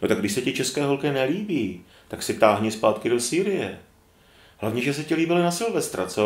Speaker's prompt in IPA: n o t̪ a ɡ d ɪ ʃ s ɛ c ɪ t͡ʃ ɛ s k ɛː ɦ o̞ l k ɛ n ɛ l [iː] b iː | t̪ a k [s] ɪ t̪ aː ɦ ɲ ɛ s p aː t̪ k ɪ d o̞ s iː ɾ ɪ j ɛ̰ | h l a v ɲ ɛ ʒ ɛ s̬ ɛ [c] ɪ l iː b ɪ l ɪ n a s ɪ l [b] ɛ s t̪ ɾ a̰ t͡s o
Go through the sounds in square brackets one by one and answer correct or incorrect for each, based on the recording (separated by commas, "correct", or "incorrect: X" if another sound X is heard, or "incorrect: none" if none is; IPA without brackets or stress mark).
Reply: correct, correct, correct, incorrect: v